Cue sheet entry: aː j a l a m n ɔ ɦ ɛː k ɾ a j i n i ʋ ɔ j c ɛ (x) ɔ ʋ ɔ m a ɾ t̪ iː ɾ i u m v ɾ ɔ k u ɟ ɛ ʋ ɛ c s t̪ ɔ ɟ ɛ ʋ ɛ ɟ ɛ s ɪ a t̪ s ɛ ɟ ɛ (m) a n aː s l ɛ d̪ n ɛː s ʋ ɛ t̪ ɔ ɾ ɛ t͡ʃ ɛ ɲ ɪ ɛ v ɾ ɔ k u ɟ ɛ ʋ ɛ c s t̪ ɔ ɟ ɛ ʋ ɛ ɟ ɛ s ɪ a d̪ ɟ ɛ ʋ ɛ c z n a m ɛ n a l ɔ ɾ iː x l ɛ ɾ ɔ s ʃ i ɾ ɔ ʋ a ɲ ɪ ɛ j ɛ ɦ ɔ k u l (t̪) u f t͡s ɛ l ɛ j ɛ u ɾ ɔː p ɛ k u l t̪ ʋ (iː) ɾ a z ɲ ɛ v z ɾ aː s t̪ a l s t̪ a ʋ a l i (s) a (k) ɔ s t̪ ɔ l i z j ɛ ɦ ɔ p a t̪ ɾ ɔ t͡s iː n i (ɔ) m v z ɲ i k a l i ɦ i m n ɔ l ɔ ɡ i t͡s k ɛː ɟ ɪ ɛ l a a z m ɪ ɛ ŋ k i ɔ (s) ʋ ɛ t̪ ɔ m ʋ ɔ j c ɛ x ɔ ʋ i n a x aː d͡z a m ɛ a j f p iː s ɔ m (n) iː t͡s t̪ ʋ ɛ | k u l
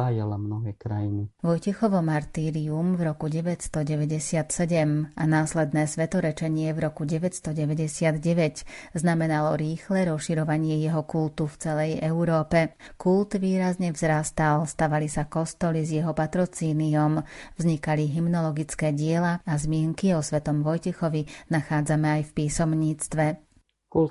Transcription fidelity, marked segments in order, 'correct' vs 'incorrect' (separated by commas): correct, correct, correct, correct, correct, correct, correct, correct, incorrect